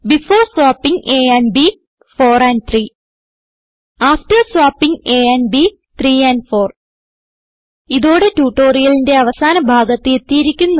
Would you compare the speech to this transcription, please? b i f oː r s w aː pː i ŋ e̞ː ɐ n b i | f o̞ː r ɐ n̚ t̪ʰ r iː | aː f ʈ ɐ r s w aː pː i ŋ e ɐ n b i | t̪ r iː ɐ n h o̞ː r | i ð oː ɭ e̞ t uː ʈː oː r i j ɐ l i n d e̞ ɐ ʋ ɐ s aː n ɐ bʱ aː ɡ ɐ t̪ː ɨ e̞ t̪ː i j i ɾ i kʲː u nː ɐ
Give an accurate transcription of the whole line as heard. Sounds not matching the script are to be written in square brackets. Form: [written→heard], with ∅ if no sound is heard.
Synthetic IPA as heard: b i f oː r s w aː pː i ŋ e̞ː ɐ n b i | f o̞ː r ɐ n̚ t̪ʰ r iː | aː f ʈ ɐ r s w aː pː i ŋ e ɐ n b i | t̪ r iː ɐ n [h→f] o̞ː r | i ð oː [ɭ→ɽ] e̞ t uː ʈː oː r i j ɐ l i n d e̞ ɐ ʋ ɐ s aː n ɐ bʱ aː ɡ ɐ t̪ː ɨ e̞ t̪ː i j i ɾ i kʲː u nː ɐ